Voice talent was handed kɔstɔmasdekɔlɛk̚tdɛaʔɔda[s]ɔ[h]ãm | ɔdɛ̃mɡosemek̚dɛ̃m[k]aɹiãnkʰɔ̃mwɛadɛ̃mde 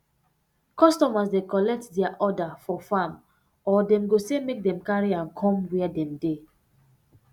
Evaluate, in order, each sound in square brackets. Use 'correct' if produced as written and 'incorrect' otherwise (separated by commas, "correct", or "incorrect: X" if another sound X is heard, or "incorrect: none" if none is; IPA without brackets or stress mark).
incorrect: f, incorrect: f, correct